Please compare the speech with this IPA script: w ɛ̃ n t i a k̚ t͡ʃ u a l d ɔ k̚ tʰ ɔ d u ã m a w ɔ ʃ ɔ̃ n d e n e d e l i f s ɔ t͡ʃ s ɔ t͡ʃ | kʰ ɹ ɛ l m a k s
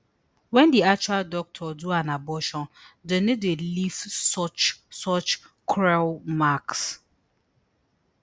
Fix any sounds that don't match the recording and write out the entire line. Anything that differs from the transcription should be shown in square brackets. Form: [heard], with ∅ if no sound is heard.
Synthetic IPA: w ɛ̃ n [d] i a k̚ t͡ʃ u a l d ɔ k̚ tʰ ɔ d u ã [n] a [b] ɔ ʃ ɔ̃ n d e n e d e l i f s ɔ t͡ʃ s ɔ t͡ʃ | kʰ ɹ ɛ l m a k s